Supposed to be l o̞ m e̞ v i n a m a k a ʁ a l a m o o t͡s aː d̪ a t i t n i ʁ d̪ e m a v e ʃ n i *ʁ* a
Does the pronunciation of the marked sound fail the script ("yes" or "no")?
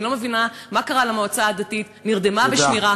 no